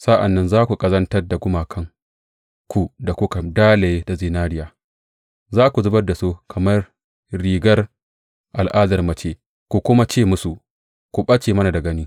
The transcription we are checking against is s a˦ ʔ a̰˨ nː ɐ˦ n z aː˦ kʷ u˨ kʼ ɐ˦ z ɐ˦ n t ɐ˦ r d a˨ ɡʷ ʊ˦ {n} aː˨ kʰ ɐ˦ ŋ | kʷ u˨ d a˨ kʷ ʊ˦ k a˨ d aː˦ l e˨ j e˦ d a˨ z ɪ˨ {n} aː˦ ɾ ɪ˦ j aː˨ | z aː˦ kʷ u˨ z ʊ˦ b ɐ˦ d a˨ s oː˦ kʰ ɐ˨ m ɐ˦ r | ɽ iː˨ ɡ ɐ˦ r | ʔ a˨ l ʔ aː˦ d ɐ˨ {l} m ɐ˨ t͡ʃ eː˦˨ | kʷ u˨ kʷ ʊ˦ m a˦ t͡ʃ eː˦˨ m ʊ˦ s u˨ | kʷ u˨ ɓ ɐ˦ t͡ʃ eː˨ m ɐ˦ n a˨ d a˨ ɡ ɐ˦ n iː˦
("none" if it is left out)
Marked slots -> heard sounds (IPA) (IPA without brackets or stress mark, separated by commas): m, n, r